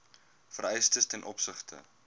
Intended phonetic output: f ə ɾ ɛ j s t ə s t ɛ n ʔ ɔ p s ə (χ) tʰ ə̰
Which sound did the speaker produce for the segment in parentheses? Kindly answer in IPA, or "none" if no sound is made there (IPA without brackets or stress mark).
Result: χ